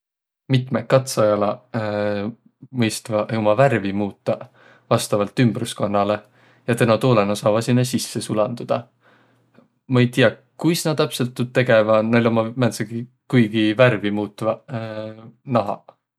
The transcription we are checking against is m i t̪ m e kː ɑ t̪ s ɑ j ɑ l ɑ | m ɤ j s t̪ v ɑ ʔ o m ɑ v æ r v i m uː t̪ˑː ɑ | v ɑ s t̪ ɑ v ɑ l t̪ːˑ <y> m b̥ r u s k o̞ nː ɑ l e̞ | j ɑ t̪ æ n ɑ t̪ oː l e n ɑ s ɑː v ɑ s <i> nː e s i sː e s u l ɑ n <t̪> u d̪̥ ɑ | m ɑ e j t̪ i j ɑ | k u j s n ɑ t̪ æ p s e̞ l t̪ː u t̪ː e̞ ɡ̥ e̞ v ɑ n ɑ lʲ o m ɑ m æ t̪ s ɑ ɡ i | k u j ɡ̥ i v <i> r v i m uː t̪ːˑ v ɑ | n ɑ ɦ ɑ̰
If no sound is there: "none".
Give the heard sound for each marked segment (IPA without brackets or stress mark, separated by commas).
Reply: y, i, d̪, æ